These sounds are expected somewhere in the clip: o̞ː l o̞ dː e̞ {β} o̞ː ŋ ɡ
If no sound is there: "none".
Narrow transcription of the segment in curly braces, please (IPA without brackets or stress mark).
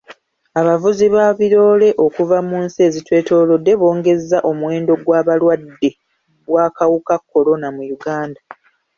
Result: β